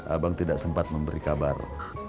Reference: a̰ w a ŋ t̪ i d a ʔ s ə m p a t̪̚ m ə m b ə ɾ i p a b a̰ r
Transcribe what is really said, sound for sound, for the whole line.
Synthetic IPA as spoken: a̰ b a ŋ t̪ i d a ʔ s ə m p a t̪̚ m ə m b ə ɾ i k a b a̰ r